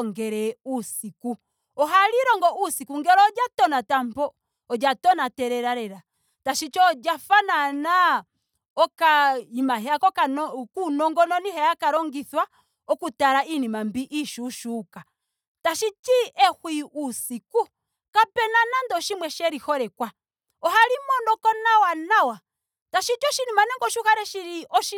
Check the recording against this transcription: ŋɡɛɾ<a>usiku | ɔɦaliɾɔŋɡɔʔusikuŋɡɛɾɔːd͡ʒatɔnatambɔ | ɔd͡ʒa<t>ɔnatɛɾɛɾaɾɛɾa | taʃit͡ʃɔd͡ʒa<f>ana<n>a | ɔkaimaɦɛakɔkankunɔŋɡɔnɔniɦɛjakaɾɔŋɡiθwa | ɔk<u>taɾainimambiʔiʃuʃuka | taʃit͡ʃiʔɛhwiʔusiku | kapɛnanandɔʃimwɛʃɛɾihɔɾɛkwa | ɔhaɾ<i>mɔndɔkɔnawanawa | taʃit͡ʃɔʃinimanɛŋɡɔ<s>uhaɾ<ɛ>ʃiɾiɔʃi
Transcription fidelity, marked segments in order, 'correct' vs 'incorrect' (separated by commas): incorrect, correct, correct, correct, correct, correct, incorrect, correct